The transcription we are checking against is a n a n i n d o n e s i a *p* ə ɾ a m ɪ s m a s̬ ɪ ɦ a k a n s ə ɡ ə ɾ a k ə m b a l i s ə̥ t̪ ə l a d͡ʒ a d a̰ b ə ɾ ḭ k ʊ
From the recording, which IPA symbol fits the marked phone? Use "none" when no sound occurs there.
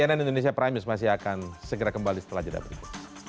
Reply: p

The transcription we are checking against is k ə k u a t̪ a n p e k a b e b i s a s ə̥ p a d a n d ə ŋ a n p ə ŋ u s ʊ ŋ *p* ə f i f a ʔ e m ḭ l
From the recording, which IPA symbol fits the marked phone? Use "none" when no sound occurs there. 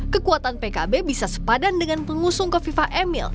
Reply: k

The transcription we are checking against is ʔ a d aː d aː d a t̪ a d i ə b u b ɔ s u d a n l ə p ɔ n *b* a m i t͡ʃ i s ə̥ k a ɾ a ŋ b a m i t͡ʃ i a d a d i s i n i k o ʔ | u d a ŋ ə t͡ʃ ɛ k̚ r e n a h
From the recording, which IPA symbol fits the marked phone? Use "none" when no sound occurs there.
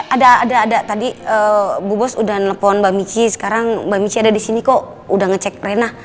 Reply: b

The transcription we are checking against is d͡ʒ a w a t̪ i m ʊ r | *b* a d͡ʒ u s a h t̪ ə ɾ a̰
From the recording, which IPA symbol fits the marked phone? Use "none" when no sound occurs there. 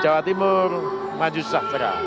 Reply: m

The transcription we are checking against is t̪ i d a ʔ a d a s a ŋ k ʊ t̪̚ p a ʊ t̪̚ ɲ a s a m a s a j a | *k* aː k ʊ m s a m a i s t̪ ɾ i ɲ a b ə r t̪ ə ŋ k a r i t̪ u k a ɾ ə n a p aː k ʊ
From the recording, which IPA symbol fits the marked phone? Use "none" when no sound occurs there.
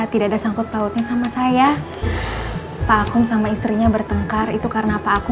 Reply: p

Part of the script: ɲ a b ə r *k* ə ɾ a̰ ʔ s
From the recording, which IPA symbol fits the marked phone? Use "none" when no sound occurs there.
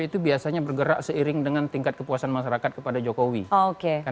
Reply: ɡ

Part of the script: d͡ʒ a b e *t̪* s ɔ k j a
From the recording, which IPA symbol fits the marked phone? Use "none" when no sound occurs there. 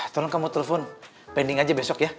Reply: none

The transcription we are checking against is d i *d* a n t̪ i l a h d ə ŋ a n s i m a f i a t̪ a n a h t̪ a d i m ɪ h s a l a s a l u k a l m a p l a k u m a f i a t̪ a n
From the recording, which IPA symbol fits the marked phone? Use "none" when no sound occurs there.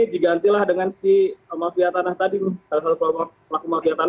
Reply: ɡ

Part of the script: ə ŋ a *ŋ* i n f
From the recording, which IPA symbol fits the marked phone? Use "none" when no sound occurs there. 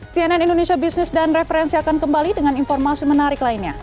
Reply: n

